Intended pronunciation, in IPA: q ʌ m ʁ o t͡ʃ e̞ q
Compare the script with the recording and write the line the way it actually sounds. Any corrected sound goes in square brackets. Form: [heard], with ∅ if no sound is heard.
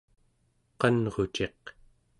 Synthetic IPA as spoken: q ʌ [n] ʁ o t͡ʃ e̞ q

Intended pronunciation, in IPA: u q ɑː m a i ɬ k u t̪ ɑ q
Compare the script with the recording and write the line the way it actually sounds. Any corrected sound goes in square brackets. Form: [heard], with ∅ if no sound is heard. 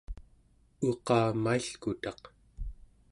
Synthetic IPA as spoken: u q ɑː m a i ɬ k u t̪ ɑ q

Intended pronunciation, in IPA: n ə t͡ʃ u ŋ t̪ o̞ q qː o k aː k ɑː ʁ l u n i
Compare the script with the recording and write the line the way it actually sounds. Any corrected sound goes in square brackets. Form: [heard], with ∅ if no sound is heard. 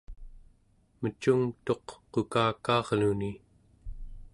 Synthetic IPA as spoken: [m] ə t͡ʃ u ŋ t̪ o̞ q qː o k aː k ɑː ʁ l u n i

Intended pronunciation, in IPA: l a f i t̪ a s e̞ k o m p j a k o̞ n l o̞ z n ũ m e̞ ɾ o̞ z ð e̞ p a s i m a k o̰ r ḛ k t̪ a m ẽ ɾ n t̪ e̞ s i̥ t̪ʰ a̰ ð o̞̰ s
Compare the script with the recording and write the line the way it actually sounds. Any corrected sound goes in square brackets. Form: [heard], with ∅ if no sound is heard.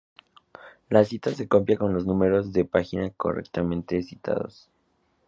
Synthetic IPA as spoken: l a [s] i t̪ a s e̞ k o m p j a k o̞ n l o̞ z n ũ m e̞ ɾ o̞ z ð e̞ p a [x] i [n] a k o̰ r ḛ k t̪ a m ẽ [∅] n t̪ e̞ s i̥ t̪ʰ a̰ ð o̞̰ s

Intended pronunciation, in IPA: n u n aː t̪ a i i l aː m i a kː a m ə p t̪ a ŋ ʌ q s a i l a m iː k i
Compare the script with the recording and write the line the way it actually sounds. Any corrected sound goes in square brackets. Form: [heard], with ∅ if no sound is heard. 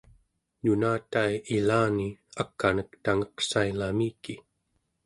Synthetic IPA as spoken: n u n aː t̪ a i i l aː [n] i a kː a [n] ə [k] t̪ a ŋ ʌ q s a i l a m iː k i

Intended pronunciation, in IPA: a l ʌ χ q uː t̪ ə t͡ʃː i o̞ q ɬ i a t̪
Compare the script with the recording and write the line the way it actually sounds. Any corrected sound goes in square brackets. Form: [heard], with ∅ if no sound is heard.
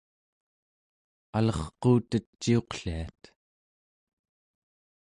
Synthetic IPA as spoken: a l ʌ χ q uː t̪ ə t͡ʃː i o̞ q ɬ i a t̪

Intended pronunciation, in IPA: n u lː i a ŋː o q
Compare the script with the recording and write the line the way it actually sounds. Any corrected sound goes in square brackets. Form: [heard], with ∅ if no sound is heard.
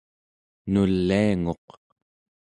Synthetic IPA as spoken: n u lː i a [ŋ] o q

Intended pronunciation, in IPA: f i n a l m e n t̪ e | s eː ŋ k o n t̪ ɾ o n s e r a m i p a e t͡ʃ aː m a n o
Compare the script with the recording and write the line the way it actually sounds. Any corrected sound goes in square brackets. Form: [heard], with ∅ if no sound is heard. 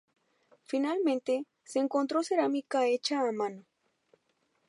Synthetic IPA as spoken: f i n a l m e n t̪ e | s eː ŋ k o n t̪ ɾ o [∅] s e [ɾ] a m i [k] a e t͡ʃ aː m a n o

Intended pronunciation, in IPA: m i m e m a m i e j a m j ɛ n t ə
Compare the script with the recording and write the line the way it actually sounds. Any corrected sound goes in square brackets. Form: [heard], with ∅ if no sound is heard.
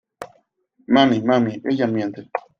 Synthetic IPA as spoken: m [a] m [i] m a m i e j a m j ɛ n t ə

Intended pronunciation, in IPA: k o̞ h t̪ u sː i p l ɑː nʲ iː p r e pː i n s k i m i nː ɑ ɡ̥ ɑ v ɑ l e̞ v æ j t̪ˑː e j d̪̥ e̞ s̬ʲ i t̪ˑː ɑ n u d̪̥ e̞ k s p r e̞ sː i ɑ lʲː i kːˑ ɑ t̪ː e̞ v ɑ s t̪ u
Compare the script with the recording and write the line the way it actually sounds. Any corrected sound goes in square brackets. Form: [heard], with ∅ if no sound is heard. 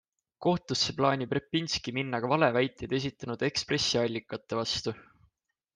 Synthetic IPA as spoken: k o̞ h t̪ u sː [e] p l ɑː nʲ [i] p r e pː i n s k i m i nː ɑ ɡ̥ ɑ v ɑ l e̞ v æ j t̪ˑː e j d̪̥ e̞ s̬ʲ i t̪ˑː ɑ n u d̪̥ e̞ k s p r e̞ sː i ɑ lʲː i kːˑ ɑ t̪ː e̞ v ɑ s t̪ u

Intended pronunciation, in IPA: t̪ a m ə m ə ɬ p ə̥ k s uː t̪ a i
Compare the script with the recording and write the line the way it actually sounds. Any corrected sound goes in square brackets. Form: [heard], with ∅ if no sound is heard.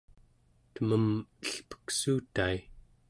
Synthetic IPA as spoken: t̪ [ə] m ə m ə ɬ p ə̥ k s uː t̪ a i

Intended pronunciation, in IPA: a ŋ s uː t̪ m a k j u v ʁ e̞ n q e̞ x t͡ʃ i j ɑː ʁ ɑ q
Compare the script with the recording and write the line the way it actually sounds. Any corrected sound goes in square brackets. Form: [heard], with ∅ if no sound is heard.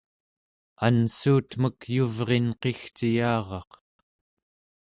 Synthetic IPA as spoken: a [n] s uː t̪ m [ə] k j u v ʁ e̞ n q e̞ x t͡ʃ i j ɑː ʁ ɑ q

